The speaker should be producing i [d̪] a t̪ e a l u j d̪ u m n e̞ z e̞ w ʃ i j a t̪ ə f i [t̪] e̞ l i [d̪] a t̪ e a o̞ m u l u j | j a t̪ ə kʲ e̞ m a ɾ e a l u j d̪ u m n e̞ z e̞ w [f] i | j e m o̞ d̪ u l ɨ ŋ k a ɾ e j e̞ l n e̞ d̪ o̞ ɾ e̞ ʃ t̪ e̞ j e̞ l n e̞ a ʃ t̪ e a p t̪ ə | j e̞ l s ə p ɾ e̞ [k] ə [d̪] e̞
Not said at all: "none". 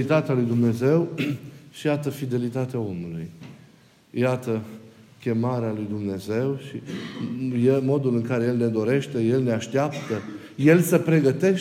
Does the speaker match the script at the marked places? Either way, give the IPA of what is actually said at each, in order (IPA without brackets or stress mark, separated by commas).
t̪, d̪, t̪, ʃ, ɡ, t̪